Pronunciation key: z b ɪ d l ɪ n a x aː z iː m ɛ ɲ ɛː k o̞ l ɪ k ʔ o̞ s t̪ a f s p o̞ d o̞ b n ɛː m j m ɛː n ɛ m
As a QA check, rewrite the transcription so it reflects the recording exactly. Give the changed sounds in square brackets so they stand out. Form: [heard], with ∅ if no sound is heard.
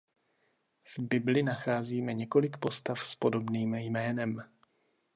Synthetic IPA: [v] b ɪ [b] l ɪ n a x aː z iː m ɛ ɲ [ɛ] k o̞ l ɪ k [p] o̞ s t̪ a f s p o̞ d o̞ b n [iː] m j m ɛː n ɛ m